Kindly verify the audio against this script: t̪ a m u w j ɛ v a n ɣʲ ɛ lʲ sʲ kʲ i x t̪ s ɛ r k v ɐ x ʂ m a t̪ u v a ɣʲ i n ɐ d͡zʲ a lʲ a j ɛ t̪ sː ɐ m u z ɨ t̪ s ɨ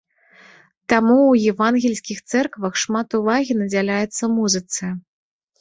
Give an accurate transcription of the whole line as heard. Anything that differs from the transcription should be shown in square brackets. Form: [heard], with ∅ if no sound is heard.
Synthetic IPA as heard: t̪ a m u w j ɛ v a n ɣʲ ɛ lʲ sʲ kʲ i x t̪ s ɛ r k v ɐ x ʂ m a t̪ u v a ɣʲ i n ɐ d͡zʲ a lʲ a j ɛ t̪ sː ɐ m u z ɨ t̪ s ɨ